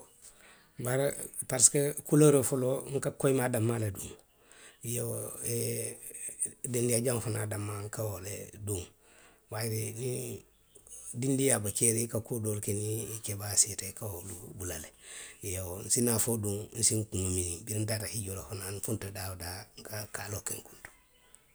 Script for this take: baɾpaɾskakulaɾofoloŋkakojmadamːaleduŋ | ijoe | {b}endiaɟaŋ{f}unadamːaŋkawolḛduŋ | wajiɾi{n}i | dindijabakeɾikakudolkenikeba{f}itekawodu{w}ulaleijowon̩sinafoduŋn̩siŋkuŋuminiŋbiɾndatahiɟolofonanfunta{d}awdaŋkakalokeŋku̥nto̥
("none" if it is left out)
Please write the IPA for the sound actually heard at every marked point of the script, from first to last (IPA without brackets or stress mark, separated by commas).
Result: d, f, n, s, b, d